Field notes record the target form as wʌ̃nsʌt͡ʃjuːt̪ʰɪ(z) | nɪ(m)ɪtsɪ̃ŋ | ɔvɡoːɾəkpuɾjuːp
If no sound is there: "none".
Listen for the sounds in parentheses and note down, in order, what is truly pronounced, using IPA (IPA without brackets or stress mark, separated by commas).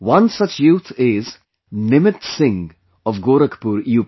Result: z, m